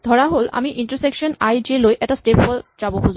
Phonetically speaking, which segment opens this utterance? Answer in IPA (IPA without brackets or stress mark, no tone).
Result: d̪ʱ